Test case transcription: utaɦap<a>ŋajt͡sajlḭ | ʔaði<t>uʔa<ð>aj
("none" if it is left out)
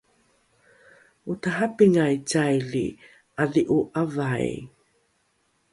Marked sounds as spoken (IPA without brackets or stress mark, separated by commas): i, ʔ, v